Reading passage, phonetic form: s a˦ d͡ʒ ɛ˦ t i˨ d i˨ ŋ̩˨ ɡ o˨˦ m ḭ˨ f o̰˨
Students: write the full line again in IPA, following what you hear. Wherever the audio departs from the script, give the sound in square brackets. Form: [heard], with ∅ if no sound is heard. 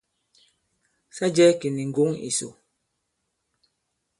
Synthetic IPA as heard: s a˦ d͡ʒ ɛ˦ [k] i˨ [n] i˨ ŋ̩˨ ɡ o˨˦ [ŋ] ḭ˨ [s] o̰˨